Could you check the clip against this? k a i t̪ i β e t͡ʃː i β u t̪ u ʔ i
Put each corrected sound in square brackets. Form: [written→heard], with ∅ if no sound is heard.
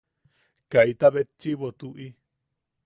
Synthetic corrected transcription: k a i t̪ [i→a] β e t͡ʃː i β [u→o] t̪ u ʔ i